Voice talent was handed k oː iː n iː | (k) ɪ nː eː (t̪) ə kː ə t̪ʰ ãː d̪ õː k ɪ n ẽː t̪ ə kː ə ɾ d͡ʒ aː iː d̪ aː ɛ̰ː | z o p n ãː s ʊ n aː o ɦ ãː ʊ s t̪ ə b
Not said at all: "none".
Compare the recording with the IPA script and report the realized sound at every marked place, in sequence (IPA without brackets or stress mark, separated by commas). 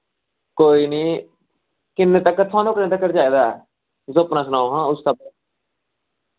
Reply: k, t̪